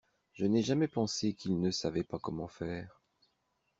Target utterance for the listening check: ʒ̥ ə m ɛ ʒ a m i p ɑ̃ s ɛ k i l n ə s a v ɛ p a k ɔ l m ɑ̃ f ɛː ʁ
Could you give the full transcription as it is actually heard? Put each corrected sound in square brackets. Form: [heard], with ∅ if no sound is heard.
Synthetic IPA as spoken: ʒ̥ ə [n] ɛ ʒ a m [ɛ] p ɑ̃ s [e] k i l n ə s a v ɛ p a k ɔ [∅] m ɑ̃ f ɛː ʁ